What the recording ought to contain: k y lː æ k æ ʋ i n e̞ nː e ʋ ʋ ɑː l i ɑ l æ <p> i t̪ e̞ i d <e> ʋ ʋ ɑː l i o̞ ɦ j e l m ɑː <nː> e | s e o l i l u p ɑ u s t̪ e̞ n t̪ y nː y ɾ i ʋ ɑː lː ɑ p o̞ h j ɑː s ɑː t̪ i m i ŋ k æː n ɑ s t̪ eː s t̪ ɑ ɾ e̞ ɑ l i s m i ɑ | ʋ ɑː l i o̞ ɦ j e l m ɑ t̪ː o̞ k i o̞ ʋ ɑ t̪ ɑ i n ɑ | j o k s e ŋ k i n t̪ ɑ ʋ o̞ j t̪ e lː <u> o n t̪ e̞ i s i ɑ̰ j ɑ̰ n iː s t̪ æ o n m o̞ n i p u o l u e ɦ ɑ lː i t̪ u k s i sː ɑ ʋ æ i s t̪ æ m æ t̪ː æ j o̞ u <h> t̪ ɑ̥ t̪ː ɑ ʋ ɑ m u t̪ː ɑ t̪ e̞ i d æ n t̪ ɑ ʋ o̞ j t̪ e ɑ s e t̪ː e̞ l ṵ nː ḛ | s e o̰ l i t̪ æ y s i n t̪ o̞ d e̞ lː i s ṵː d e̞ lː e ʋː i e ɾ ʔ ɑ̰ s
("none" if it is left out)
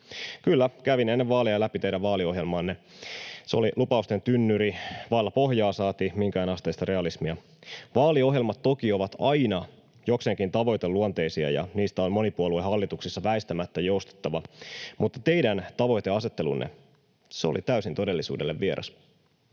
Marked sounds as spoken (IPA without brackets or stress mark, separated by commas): p, æ, nː, u, s